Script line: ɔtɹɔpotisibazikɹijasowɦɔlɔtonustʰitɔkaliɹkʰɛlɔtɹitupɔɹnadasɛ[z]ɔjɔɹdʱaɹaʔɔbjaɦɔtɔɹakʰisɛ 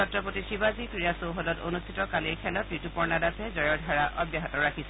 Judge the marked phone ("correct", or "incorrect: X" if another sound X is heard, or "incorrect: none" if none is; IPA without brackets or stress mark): correct